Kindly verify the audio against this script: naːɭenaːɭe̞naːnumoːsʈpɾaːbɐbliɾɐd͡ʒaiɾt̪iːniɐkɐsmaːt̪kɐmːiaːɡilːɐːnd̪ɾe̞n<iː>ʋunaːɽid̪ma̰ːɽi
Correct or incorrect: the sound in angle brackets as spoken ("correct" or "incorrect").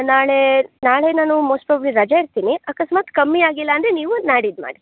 correct